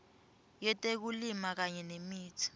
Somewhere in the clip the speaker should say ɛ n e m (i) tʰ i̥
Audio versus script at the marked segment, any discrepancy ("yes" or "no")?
yes